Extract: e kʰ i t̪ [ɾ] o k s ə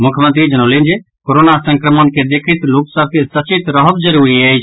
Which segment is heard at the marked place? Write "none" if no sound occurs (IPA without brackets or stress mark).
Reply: l